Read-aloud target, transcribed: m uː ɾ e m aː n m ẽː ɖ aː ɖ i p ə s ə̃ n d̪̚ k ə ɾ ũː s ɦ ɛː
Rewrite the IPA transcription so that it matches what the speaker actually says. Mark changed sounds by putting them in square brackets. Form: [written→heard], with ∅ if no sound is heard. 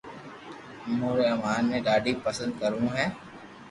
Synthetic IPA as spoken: m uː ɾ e m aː n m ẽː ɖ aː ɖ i p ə s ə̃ n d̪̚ k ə ɾ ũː [s→∅] ɦ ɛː

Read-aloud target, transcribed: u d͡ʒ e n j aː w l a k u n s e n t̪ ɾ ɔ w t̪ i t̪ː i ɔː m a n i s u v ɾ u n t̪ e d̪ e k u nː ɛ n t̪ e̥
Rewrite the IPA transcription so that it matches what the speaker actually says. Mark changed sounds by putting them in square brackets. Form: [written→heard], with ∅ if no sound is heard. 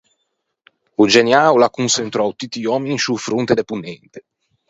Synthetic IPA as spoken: u d͡ʒ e n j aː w l a k u n s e n t̪ ɾ ɔ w t̪ i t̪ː i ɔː m [a→i] n i s u [v→f] ɾ u n t̪ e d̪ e [k→p] u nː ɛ n t̪ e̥

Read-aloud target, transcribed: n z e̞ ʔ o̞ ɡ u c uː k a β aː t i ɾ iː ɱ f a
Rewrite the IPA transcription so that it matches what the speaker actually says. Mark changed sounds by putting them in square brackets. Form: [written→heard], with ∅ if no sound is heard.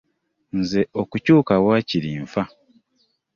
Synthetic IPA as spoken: n z e̞ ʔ o̞ [ɡ→k] u c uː k a [β→w] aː [t→c] i ɾ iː ɱ f a

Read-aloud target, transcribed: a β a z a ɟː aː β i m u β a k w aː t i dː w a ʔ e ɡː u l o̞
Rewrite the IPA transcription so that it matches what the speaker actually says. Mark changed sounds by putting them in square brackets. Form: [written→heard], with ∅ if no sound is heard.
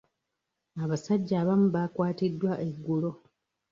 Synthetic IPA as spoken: a β a [z→s] a ɟː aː β [i→a] m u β a k w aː t i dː w a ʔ e ɡː u l o̞

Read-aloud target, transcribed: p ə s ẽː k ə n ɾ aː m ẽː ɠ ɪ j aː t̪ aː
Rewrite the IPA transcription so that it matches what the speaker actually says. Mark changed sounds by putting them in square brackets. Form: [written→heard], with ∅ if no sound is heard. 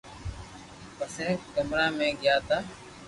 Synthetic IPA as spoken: p ə s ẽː k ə [n→m] ɾ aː m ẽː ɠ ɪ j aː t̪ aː

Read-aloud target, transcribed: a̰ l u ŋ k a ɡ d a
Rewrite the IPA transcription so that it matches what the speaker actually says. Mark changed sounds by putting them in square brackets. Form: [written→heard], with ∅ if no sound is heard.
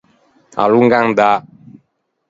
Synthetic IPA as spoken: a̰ l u ŋ [k→ɡ] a [ɡ→ŋ] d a

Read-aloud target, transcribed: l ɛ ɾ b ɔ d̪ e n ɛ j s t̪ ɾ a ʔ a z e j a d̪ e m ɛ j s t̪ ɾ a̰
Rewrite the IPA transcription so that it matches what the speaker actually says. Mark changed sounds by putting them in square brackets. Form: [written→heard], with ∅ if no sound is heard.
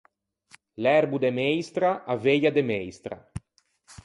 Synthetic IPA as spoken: l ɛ ɾ b [ɔ→u] d̪ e [n→m] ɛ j s t̪ ɾ a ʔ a [z→v] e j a d̪ e m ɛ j s t̪ ɾ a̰

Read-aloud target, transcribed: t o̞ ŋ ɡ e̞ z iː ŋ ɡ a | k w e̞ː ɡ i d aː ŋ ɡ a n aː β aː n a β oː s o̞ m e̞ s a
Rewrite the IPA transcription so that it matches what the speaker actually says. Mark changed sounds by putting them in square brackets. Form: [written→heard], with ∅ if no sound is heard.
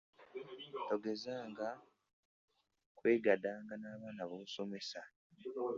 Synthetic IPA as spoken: t o̞ [ŋ→∅] ɡ e̞ z [iː→aː] ŋ ɡ a | k w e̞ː ɡ [i→a] d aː ŋ ɡ a n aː β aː n a β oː s o̞ m e̞ s a

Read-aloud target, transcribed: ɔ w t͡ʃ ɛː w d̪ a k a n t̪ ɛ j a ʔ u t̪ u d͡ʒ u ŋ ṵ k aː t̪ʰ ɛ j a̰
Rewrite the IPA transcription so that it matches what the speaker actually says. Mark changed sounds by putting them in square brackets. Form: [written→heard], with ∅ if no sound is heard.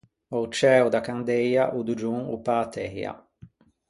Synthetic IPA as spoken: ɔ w t͡ʃ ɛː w d̪ a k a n [t̪→d̪] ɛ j a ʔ u [t̪→d̪] u d͡ʒ u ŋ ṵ [k→p] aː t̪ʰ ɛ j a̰

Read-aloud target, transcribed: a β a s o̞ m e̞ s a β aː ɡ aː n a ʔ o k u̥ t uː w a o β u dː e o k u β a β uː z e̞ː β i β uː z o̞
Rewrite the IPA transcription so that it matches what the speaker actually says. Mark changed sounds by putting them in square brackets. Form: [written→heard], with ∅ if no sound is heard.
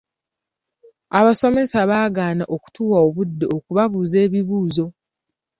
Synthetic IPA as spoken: a β a s o̞ m e̞ s a β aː ɡ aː n a ʔ o k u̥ t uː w a o β u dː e o k u β a β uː z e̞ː β i β uː z o̞

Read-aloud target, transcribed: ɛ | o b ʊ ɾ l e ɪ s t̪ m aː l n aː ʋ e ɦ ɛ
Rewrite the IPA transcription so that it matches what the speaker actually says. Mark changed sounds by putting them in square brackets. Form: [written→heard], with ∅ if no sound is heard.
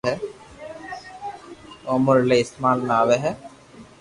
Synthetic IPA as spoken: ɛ | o [b→m] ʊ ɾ l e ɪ s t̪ m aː l n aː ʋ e ɦ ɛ

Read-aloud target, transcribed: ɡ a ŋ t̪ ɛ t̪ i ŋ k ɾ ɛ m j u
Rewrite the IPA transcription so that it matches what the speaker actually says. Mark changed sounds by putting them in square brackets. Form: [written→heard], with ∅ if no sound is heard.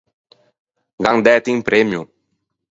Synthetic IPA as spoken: ɡ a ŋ [t̪→d̪] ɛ t̪ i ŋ [k→p] ɾ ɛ m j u

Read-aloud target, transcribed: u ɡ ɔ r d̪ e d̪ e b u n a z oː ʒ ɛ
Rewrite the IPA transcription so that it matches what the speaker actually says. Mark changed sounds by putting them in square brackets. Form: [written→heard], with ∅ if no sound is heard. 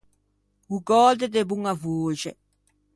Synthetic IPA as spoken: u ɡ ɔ [r→l] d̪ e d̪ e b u [n→ŋ] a [z→v] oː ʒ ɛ

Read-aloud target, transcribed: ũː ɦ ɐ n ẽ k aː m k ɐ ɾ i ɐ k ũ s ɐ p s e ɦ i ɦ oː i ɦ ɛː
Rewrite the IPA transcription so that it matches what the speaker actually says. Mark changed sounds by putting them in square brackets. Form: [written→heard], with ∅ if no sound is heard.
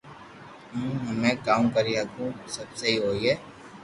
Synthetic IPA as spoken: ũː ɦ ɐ [n→m] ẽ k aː m k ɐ ɾ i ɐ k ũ s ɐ [p→b] s e ɦ i ɦ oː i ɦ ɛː

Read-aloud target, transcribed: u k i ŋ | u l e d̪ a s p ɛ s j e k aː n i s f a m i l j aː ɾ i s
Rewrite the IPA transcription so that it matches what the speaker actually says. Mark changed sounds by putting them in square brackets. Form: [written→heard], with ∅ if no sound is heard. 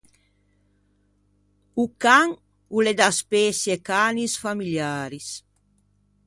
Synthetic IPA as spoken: u k [i→a] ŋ | u l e d̪ a s p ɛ s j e k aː n i s f a m i l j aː ɾ i s

